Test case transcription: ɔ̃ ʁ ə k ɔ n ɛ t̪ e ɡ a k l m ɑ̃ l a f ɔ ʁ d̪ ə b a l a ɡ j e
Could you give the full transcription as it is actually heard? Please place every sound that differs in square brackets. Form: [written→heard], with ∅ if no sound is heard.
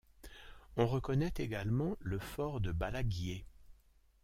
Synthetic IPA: ɔ̃ ʁ ə k ɔ n ɛ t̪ e ɡ a [k→∅] l m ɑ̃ l [a→ə] f ɔ ʁ d̪ ə b a l a ɡ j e